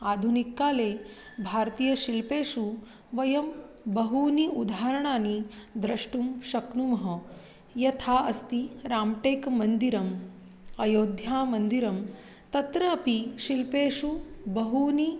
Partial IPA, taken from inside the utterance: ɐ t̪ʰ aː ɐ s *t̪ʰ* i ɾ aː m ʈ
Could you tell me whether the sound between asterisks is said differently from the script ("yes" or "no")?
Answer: yes